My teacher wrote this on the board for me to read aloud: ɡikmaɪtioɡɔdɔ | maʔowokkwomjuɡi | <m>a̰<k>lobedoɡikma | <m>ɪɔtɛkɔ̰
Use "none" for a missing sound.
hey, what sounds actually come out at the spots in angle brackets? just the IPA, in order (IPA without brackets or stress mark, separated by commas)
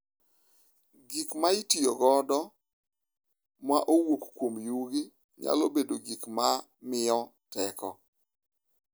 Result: ɲ, none, m